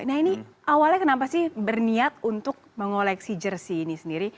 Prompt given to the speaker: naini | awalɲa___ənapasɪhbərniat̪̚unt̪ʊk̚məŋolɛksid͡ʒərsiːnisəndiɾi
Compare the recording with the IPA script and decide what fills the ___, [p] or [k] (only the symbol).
k